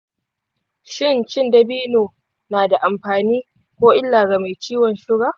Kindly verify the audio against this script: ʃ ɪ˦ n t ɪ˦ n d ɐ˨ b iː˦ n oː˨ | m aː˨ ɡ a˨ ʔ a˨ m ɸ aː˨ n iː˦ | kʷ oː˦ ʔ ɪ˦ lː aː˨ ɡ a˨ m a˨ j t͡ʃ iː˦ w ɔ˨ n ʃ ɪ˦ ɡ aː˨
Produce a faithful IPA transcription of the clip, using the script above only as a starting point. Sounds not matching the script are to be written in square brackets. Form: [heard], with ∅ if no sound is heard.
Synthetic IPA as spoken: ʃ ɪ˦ n [t͡ʃ] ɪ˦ n d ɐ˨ b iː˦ n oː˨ | [n] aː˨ [d] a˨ ʔ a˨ m ɸ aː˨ n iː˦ | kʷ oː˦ ʔ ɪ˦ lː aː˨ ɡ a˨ m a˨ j t͡ʃ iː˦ w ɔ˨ n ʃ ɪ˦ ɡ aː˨

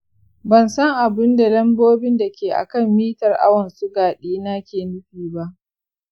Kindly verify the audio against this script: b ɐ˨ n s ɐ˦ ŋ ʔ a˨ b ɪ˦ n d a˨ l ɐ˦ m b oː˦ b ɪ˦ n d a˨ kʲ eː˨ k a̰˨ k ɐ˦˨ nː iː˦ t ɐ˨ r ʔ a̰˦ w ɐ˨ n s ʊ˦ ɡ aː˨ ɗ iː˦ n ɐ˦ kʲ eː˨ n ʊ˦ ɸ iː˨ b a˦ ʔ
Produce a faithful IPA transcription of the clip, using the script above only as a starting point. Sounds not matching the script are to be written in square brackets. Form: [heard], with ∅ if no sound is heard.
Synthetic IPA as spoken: b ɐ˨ n s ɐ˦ ŋ ʔ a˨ b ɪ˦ n d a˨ l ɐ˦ m b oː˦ b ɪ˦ n d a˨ kʲ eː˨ [ʔ] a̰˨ k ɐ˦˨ [mː] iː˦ t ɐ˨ r ʔ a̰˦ w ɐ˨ n s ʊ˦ ɡ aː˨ ɗ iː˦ n [a˦] kʲ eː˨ n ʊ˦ ɸ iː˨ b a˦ ʔ

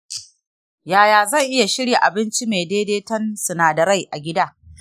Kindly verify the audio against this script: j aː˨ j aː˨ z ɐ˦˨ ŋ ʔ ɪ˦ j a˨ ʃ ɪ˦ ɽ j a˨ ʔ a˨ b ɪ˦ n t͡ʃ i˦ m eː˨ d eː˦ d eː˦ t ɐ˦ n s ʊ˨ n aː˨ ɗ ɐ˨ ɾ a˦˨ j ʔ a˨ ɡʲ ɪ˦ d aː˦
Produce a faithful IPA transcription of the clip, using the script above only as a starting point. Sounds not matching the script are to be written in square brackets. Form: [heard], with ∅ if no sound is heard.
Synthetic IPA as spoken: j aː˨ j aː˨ z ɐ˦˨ ŋ ʔ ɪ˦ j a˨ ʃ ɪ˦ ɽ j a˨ ʔ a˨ b ɪ˦ n t͡ʃ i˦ m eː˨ d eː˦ d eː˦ t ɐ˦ n s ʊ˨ n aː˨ [d] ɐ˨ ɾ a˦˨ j ʔ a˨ ɡʲ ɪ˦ d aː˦

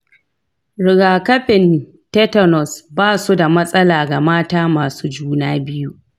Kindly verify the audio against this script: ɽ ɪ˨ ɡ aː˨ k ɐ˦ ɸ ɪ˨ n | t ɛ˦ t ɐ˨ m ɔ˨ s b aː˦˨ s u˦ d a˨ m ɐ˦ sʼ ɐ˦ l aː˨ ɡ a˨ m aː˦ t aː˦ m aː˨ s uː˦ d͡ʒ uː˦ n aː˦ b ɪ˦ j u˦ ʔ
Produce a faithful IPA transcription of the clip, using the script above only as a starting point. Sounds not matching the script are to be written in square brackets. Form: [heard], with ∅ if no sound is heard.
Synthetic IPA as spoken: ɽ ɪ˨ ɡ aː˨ k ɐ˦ ɸ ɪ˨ n | t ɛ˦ t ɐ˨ [n] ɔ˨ s b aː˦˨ s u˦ d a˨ m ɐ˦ sʼ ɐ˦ l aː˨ ɡ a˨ m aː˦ t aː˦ m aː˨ s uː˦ d͡ʒ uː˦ n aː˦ b ɪ˦ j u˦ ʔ

